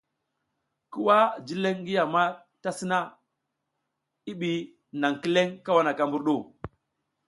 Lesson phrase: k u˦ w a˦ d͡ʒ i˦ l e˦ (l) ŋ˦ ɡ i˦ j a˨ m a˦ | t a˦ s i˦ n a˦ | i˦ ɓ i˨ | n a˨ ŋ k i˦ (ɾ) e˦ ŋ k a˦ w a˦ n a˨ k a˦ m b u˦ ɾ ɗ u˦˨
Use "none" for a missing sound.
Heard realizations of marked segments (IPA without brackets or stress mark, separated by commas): none, l